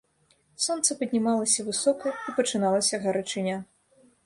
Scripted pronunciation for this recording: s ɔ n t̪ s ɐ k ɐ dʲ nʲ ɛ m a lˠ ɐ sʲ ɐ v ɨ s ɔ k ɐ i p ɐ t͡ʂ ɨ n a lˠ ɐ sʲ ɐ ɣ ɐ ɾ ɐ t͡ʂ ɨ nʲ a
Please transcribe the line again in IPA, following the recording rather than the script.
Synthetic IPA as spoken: s ɔ n t̪ s ɐ p ɐ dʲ nʲ i m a lˠ ɐ sʲ ɐ v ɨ s ɔ k ɐ i p ɐ t͡ʂ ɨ n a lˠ ɐ sʲ ɐ ɣ ɐ ɾ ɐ t͡ʂ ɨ nʲ a